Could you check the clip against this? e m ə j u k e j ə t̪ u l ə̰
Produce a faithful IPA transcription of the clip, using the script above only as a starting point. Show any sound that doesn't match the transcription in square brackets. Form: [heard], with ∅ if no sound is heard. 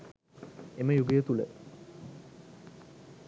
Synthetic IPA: e m ə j u [ɡ] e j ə t̪ u l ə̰